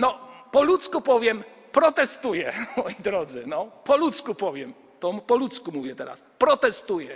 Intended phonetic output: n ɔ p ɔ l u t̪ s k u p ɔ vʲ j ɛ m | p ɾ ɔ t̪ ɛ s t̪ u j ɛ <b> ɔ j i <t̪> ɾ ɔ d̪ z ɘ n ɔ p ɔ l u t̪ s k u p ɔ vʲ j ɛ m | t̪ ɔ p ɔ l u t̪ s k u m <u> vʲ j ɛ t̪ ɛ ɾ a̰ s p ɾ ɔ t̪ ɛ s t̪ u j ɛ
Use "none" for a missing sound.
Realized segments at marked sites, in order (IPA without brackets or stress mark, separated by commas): m, d̪, u